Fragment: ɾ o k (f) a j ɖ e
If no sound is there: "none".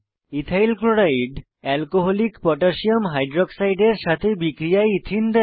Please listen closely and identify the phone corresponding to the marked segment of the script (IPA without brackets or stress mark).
s